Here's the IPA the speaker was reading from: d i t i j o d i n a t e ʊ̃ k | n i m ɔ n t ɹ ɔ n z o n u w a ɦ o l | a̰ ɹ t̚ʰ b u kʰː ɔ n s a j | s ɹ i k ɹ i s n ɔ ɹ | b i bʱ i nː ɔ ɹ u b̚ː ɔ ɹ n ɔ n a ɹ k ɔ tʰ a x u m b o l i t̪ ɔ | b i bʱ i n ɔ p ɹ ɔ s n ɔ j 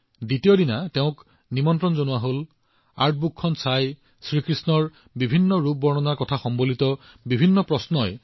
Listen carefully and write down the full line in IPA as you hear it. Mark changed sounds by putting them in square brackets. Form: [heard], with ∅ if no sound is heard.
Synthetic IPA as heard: d i t i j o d i n a t e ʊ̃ k | n i m ɔ n t ɹ ɔ n z o n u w a ɦ o l | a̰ ɹ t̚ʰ b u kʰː ɔ n s a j | s ɹ i k ɹ i s n ɔ ɹ | b i bʱ i nː ɔ ɹ u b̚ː ɔ ɹ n ɔ n a ɹ k ɔ tʰ a x [ɔ] m b o l i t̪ ɔ | b i bʱ i [nː] ɔ p ɹ ɔ s n ɔ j